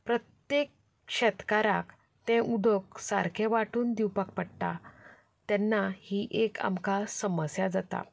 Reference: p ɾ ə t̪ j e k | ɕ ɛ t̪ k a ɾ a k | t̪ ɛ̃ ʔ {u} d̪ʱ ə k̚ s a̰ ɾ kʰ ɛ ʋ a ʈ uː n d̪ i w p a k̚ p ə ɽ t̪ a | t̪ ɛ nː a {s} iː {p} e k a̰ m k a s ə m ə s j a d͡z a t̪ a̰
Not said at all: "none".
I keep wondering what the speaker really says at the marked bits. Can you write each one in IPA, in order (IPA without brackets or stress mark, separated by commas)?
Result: u, h, ʔ